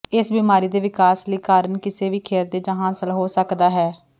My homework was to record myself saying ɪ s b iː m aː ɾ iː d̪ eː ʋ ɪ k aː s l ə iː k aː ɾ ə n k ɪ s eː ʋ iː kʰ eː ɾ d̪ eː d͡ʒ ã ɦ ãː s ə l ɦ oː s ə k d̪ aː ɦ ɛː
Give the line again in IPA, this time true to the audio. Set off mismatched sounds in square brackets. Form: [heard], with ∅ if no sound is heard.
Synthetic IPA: ɪ s b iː m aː ɾ iː d̪ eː ʋ ɪ k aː s l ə iː k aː ɾ ə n k ɪ s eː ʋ iː kʰ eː ɾ d̪ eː d͡ʒ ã ɦ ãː s ə l ɦ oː s ə k d̪ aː ɦ ɛː